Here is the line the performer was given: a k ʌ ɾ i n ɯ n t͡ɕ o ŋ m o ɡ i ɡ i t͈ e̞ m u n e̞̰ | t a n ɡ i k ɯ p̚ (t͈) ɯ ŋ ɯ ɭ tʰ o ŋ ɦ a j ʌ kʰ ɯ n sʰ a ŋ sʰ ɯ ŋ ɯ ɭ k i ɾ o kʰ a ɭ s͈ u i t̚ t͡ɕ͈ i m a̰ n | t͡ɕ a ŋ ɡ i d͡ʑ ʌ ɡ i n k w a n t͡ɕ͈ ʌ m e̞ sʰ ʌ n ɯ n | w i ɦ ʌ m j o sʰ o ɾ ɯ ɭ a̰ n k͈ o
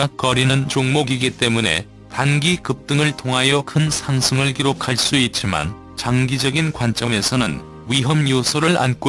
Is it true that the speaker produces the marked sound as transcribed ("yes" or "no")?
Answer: yes